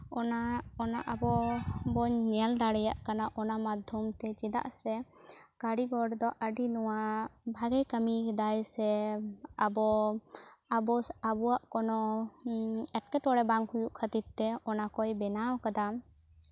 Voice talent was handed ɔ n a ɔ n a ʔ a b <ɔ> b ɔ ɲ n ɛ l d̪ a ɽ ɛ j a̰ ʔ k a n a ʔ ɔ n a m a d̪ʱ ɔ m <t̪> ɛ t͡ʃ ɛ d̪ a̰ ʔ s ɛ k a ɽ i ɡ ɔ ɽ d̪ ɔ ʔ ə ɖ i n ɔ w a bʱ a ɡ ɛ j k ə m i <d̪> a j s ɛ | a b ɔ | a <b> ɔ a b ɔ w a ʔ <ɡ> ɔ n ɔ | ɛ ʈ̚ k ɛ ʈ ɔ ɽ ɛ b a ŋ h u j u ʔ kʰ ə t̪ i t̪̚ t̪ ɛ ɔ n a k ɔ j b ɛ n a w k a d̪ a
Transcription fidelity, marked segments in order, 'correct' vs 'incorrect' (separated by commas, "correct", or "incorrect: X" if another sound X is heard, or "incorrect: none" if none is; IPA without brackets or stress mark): correct, correct, correct, correct, incorrect: k